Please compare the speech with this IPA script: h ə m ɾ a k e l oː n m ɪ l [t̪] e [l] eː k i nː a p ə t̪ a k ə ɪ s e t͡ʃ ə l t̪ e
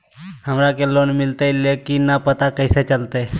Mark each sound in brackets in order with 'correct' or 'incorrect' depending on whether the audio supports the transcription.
correct, correct

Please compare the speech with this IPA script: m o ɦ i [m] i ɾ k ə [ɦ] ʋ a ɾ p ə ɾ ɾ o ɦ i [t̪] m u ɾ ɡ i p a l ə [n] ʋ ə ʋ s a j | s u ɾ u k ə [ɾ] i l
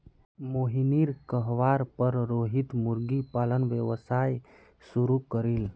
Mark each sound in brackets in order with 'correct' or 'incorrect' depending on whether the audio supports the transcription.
incorrect: n, correct, correct, correct, correct

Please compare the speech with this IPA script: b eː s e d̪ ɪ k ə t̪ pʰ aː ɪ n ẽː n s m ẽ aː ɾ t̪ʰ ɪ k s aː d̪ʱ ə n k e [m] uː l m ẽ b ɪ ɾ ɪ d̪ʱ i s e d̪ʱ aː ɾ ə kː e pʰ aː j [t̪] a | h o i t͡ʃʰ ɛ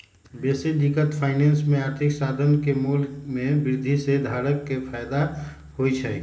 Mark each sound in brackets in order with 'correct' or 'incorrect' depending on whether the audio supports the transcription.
correct, incorrect: d̪

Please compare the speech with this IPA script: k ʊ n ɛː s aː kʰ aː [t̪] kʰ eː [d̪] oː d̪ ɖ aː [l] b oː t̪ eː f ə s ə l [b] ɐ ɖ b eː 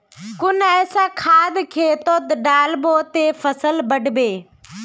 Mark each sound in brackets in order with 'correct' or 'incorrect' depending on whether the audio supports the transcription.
incorrect: d̪, incorrect: t̪, correct, correct

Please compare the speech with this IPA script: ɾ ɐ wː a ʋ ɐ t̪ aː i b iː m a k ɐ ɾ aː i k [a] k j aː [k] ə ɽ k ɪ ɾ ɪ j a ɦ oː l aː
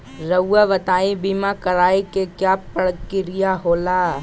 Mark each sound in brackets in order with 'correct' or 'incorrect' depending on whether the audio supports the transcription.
incorrect: e, incorrect: p

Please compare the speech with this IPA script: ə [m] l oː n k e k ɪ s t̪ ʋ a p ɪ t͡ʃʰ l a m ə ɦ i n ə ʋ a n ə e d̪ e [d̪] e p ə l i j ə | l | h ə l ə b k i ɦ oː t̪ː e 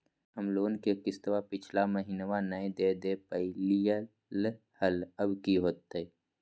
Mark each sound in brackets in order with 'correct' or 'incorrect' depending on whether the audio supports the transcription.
correct, correct

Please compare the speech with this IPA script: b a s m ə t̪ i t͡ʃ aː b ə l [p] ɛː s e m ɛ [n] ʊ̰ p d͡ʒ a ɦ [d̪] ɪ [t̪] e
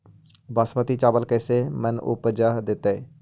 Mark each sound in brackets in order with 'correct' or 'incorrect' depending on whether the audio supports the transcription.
incorrect: k, correct, correct, correct

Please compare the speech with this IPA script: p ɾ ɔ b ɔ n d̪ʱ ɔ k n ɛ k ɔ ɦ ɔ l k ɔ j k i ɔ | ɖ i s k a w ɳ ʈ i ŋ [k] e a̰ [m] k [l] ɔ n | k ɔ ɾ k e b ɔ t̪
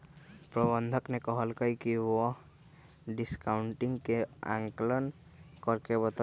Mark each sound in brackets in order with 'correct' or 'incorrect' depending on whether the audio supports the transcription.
correct, incorrect: ŋ, correct

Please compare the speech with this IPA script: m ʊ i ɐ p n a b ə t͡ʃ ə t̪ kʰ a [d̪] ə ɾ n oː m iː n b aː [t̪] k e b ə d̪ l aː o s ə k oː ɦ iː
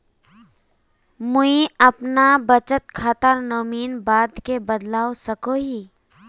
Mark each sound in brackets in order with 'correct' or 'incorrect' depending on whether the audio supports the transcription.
incorrect: t̪, incorrect: d̪

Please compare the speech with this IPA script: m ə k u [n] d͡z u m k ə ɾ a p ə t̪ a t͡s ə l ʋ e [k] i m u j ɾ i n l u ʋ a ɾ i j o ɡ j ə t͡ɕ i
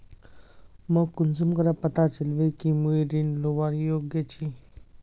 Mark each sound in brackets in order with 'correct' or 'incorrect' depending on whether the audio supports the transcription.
correct, correct

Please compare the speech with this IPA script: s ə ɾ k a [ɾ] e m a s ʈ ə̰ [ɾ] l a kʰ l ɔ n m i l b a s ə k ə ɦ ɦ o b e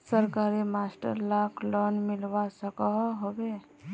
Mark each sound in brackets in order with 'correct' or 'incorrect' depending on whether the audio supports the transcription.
correct, correct

